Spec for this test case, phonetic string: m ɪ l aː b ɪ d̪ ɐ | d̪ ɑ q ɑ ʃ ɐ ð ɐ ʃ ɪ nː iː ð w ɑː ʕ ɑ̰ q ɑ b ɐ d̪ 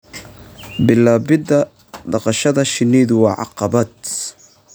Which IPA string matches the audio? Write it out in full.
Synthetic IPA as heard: b ɪ l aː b ɪ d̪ ɐ | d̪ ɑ q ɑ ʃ ɐ ð ɐ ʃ ɪ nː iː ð w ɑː ʕ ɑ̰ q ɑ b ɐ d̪